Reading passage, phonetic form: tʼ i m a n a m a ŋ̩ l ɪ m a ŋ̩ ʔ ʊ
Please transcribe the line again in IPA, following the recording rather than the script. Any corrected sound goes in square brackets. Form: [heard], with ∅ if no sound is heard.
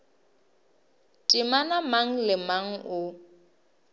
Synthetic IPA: tʼ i m a n a m a ŋ̩ l ɪ m a ŋ̩ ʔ ʊ